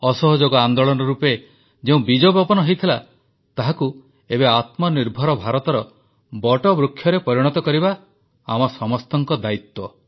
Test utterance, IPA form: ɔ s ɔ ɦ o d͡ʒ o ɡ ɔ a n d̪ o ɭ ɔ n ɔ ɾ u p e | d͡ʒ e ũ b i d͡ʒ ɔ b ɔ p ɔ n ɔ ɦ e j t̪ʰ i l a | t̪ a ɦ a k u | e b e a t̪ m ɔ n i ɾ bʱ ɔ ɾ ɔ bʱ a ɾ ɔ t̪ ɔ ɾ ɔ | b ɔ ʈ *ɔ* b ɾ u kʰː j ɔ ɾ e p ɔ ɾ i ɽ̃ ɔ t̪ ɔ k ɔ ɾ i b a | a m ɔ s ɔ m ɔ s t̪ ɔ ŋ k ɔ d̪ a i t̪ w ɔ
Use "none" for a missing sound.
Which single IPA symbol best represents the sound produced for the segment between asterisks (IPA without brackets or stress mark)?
ɔ